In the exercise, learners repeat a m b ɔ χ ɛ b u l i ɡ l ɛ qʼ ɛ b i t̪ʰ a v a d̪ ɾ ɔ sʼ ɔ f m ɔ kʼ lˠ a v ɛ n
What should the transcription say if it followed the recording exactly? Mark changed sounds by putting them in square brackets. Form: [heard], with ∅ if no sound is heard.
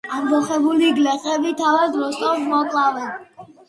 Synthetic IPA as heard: a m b ɔ χ ɛ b u l i ɡ l ɛ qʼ ɛ b i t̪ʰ a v a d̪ ɾ ɔ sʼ ɔ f m ɔ kʼ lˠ a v ɛ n

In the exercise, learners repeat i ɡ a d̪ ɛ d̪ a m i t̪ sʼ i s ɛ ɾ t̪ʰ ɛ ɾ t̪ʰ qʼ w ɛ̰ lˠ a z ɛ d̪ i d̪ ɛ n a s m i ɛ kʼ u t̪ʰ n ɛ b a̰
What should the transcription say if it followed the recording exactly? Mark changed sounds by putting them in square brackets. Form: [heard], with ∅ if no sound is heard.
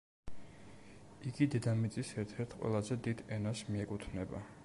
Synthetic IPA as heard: i ɡ [i] d̪ ɛ d̪ a m i t̪ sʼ i s ɛ ɾ t̪ʰ ɛ ɾ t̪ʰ qʼ w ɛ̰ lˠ a z ɛ d̪ i d̪ ɛ n a s m i ɛ kʼ u t̪ʰ n ɛ b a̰

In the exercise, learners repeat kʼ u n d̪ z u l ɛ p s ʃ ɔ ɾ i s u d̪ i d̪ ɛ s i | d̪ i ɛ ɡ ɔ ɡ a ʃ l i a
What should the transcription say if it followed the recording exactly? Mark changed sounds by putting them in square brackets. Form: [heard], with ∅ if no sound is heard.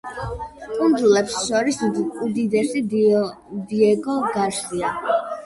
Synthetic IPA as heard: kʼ u n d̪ z u l ɛ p s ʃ ɔ ɾ i s u d̪ i d̪ ɛ s i | d̪ i ɛ ɡ ɔ ɡ a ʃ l i a

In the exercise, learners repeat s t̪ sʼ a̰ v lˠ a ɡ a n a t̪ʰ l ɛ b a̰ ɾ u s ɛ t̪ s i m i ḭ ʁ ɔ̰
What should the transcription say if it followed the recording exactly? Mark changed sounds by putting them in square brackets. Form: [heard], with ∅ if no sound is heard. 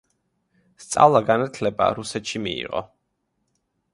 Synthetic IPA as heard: s t̪ sʼ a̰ v lˠ a ɡ a n a t̪ʰ l ɛ b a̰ ɾ u s ɛ t̪ [ʃ] i m i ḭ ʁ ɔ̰

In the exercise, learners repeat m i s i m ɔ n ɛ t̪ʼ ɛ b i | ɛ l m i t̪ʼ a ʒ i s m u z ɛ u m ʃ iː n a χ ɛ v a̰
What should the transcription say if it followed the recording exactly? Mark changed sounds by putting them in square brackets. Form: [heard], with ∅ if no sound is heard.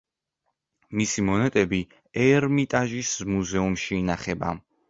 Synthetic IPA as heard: m i s i m ɔ n ɛ t̪ʼ ɛ b i | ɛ [ɾ] m i t̪ʼ a ʒ i s m u z ɛ u m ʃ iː n a χ ɛ [b] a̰

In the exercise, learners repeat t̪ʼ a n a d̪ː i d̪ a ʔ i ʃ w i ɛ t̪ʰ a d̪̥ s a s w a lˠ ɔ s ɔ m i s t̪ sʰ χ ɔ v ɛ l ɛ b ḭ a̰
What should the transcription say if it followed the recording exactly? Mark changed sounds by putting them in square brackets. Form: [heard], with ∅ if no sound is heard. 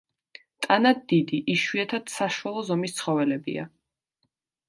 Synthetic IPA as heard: t̪ʼ a n a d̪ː i d̪ [i] ʔ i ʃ w i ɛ t̪ʰ a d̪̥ s a [ʃ] w a lˠ ɔ [z] ɔ m i s t̪ sʰ χ ɔ v ɛ l ɛ b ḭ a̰

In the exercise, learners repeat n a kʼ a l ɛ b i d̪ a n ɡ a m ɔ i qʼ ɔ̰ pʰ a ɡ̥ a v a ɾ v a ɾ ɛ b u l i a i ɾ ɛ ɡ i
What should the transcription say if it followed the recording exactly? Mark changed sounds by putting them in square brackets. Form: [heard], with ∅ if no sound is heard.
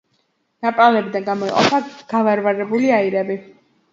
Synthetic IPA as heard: n a [pʼ] a l ɛ b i d̪ a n ɡ a m ɔ i qʼ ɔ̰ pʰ a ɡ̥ a v a ɾ v a ɾ ɛ b u l i a i ɾ ɛ [b] i

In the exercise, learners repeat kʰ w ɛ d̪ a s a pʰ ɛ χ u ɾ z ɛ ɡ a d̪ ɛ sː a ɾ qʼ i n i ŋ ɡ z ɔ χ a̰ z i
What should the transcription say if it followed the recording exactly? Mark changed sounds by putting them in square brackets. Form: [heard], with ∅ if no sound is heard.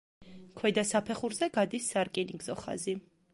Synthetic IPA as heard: kʰ w ɛ d̪ a s a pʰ ɛ χ u ɾ z ɛ ɡ a d̪ [i] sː a ɾ [kʼ] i n i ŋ ɡ z ɔ χ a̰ z i

